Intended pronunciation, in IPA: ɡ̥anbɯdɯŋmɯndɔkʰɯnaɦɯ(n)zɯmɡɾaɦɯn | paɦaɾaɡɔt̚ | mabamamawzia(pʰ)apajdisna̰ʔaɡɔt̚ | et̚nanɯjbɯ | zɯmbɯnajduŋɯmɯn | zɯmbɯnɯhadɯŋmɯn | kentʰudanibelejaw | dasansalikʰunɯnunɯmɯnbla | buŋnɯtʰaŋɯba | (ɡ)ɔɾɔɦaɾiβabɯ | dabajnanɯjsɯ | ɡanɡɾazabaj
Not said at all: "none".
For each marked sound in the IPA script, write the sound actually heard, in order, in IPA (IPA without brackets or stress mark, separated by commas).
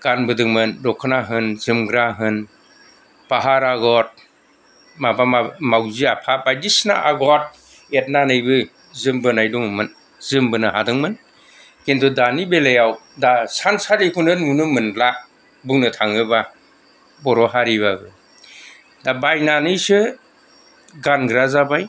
n, pʰ, b